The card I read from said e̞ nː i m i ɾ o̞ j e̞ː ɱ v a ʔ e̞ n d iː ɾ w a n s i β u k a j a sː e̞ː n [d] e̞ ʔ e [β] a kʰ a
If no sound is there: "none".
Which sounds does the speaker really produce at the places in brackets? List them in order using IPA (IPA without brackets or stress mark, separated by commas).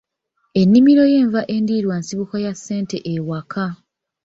t, w